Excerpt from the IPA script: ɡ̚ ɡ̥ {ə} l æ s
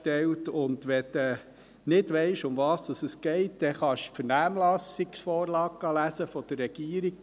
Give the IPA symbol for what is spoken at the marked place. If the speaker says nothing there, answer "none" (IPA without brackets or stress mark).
ɑ